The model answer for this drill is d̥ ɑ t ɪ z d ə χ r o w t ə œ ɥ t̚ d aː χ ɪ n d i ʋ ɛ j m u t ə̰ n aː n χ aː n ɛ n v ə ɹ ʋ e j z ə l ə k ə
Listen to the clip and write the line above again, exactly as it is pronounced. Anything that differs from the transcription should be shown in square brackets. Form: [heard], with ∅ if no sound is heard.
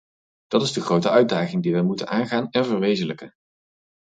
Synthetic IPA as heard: d̥ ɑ t ɪ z d ə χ r o w t ə œ ɥ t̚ d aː χ ɪ [ŋ] d i ʋ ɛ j m u t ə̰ n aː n χ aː n ɛ n v ə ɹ ʋ e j z ə l ə k ə